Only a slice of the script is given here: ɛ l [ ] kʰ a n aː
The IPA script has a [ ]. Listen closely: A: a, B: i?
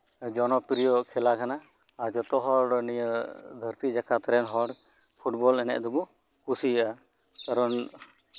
A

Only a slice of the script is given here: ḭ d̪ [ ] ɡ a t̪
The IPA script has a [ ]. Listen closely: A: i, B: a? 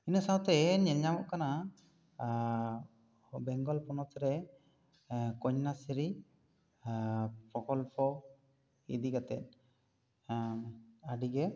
A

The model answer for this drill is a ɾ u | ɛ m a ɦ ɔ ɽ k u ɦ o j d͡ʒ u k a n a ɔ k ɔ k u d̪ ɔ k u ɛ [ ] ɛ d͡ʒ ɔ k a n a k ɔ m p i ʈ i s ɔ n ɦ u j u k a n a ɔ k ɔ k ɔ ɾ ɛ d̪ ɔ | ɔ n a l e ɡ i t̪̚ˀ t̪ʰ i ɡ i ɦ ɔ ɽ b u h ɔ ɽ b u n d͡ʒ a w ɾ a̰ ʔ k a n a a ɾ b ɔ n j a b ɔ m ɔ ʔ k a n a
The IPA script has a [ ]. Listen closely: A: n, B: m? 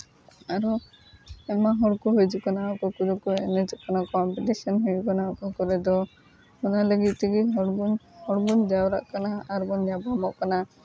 A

